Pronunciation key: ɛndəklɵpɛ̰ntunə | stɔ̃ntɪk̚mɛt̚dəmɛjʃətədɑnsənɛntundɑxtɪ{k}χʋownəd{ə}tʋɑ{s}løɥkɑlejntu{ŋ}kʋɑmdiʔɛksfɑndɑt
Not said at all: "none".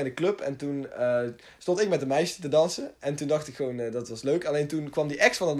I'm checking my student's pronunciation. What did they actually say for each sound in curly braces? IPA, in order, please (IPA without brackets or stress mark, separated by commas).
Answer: k, ɑ, s, n